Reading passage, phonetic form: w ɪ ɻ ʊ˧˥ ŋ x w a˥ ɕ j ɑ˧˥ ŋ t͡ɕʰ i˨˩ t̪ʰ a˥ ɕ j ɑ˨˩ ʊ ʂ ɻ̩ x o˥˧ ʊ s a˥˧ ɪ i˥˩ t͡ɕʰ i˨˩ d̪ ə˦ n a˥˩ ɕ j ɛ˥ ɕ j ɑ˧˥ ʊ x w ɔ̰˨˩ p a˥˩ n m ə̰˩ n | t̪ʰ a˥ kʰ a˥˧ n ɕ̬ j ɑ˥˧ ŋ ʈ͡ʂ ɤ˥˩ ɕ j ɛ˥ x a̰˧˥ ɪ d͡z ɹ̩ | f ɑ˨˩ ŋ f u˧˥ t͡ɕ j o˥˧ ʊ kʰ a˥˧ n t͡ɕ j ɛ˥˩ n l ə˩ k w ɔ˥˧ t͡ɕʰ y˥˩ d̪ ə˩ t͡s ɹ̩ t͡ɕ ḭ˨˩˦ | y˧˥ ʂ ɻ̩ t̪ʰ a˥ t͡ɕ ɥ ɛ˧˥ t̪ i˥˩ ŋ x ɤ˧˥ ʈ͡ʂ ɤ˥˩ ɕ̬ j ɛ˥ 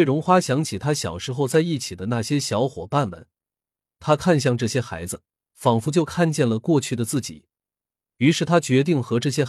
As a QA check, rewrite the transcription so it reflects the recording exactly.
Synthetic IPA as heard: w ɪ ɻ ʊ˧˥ ŋ x w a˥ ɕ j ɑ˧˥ ŋ t͡ɕʰ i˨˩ t̪ʰ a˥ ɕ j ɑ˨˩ ʊ ʂ ɻ̩ x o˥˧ ʊ t͡s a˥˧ ɪ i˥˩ t͡ɕʰ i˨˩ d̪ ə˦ n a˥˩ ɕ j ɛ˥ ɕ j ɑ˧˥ ʊ x w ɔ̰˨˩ p a˥˩ n m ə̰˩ n | t̪ʰ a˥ kʰ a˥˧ n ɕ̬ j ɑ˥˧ ŋ ʈ͡ʂ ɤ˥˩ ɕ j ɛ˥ x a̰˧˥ ɪ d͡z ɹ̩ | f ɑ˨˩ ŋ f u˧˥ t͡ɕ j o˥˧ ʊ kʰ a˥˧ n t͡ɕ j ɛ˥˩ n l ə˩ k w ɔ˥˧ t͡ɕʰ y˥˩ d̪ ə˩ t͡s ɹ̩ t͡ɕ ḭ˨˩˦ | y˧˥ ʂ ɻ̩ t̪ʰ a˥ t͡ɕ ɥ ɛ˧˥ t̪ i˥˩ ŋ x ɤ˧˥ ʈ͡ʂ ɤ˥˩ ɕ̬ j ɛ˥